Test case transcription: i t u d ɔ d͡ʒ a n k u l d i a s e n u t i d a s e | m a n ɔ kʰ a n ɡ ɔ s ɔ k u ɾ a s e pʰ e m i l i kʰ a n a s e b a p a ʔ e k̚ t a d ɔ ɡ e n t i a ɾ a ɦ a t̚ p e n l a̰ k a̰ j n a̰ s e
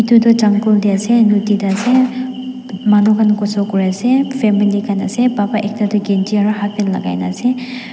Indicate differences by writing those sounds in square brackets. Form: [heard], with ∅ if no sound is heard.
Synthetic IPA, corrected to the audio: i t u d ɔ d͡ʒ a [ŋ] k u l d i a s e n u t i d a s e | m a n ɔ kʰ a n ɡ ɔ s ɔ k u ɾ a s e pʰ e m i l i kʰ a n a s e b a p a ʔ e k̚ t a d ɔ ɡ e n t i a ɾ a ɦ a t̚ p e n l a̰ [ɡ] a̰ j n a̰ s e